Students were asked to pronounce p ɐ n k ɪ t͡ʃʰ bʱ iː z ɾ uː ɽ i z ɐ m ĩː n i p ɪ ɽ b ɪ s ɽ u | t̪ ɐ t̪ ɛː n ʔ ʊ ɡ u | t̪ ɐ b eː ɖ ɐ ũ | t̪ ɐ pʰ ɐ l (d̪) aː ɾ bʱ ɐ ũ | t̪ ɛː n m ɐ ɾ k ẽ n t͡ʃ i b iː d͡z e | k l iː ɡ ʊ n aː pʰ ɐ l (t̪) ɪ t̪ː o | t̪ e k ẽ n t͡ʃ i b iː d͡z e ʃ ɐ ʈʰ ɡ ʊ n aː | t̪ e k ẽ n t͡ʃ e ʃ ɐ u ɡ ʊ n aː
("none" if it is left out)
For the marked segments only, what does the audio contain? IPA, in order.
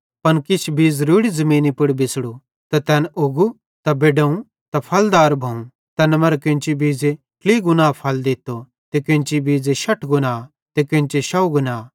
d̪, d̪

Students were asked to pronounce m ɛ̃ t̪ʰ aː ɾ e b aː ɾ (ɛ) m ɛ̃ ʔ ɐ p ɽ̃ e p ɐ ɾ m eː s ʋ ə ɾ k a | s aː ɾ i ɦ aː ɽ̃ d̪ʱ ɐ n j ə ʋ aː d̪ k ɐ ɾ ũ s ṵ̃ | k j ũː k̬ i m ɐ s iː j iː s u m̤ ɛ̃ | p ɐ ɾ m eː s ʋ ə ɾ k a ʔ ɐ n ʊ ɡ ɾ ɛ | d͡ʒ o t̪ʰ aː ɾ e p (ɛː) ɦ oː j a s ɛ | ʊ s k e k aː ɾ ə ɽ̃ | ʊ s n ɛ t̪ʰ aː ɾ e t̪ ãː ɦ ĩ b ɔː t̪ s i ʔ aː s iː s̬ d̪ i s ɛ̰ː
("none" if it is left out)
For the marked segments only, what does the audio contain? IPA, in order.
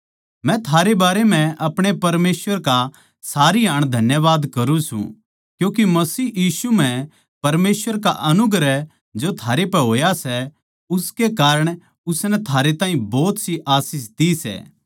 e, ɛ

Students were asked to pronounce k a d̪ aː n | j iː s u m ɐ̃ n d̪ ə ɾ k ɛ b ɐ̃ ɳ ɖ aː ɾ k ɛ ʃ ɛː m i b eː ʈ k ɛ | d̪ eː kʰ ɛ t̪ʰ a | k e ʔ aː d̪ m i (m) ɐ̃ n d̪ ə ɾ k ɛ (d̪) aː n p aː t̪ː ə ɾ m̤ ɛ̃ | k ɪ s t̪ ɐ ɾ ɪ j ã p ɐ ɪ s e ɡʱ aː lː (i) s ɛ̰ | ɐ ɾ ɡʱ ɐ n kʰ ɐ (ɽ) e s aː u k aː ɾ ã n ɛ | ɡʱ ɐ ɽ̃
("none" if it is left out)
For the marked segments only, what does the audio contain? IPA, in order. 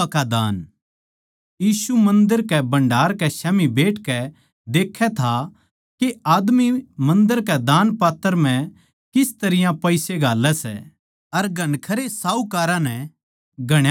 m, d̪, ɛ, ɾ

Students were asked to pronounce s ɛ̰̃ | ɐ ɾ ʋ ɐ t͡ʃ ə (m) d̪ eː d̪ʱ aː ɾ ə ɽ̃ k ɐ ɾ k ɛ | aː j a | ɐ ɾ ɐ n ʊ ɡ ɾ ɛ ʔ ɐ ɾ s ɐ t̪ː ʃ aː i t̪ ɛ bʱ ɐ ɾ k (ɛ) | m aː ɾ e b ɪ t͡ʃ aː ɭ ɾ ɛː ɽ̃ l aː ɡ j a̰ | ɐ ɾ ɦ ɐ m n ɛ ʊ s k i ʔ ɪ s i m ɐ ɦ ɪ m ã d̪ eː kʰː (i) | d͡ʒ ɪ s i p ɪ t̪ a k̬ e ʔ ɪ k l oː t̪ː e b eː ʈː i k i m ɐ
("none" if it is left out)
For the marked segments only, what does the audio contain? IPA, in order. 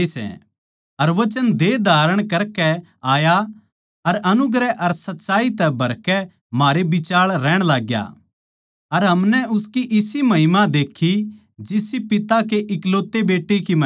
n, ɛ, i

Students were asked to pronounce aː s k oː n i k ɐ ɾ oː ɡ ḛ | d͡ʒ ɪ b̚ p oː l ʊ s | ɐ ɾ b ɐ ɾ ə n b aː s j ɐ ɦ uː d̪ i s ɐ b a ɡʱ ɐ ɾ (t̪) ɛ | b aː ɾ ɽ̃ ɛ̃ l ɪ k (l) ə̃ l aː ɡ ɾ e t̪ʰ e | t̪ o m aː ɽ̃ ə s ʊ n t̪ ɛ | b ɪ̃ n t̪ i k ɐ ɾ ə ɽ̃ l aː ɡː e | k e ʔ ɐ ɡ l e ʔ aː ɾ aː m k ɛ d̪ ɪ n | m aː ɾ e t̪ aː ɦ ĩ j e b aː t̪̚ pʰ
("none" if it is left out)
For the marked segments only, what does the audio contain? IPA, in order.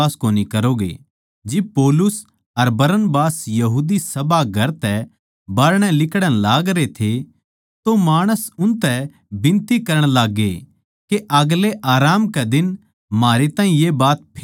t̪, ɽ

